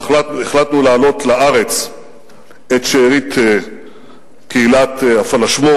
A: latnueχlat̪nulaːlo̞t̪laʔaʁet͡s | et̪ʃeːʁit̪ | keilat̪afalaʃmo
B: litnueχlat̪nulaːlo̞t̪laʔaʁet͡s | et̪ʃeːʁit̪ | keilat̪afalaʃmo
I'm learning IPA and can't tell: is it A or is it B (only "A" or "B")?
A